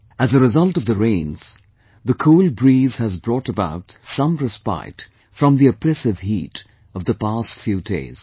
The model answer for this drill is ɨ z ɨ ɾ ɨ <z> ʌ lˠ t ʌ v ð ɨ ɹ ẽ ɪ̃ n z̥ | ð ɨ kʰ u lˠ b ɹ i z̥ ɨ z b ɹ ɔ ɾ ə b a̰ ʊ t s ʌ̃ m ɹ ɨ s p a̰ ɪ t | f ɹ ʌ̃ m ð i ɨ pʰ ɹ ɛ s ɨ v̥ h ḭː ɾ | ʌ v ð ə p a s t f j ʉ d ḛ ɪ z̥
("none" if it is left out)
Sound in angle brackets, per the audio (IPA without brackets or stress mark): z